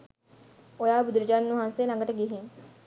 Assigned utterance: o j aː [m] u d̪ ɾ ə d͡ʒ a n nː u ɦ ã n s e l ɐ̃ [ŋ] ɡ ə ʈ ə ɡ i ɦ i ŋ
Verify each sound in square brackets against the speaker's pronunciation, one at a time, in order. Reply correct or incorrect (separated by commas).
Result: incorrect, correct